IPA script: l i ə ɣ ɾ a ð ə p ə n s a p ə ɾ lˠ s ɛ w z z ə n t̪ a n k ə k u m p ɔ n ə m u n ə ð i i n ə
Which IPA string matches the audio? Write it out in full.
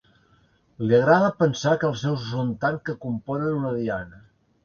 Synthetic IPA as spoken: l i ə ɣ ɾ a ð ə p ə n s a k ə lˠ s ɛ w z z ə n t̪ a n k ə k u m p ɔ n ə n u n ə ð i a n ə